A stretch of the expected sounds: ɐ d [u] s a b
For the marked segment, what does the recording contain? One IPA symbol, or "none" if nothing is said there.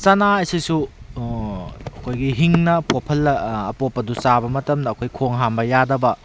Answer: u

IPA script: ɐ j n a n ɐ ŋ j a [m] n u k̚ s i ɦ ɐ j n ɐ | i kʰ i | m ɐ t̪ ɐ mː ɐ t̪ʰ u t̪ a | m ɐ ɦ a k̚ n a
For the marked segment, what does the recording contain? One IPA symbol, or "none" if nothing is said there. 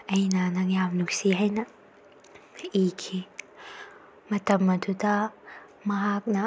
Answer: m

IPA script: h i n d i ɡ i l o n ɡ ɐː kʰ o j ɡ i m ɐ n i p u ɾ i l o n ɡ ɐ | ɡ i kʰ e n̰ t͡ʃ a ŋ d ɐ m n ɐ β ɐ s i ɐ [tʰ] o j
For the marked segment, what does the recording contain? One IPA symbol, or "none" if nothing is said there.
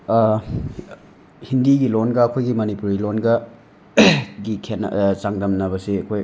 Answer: kʰ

